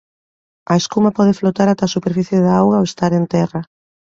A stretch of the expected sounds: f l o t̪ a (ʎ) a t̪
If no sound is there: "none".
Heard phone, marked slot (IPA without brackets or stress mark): ɾ